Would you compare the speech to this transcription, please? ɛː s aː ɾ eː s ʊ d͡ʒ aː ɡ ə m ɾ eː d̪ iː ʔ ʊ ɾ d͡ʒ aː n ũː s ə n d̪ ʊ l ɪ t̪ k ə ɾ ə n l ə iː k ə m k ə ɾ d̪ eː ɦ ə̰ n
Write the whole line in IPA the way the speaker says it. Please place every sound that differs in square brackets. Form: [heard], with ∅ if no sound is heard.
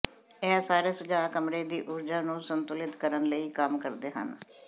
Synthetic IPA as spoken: ɛː s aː ɾ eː s ʊ d͡ʒ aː [k] ə m ɾ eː d̪ iː ʔ ʊ ɾ d͡ʒ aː n ũː s ə n [t̪] ʊ l ɪ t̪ k ə ɾ ə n l ə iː k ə m k ə ɾ d̪ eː ɦ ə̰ n